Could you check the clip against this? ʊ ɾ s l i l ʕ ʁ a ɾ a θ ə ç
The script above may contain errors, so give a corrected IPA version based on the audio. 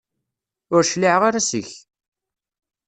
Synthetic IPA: ʊ ɾ ʃ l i ʕ ʁ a ɾ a s ə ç